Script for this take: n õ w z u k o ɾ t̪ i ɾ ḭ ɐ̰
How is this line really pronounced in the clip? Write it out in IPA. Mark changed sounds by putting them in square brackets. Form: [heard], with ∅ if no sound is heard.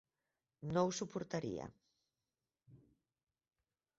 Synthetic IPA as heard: n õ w [s] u [p] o ɾ t̪ [a] ɾ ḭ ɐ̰